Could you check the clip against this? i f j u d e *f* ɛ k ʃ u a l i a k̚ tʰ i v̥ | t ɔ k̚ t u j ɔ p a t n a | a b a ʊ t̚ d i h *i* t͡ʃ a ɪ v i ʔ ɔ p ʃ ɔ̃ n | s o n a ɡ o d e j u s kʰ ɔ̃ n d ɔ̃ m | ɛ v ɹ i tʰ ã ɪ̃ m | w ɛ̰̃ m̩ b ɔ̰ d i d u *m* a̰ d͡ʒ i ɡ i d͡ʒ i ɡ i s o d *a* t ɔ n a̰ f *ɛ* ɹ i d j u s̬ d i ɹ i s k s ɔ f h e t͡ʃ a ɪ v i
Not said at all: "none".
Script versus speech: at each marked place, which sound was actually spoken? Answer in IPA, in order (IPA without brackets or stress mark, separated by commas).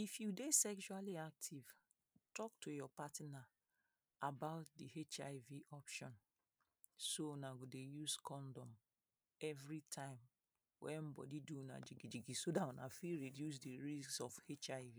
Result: s, e, n, a, i